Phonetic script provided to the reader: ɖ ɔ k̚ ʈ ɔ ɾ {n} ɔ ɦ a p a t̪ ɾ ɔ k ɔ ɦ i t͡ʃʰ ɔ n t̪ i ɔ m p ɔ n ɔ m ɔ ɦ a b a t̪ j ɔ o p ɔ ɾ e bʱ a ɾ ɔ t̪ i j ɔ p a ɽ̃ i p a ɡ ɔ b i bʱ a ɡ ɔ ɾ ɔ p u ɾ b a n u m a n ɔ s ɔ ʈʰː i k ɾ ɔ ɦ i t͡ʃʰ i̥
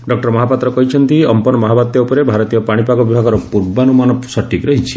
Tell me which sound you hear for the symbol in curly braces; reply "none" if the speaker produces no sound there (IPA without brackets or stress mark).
m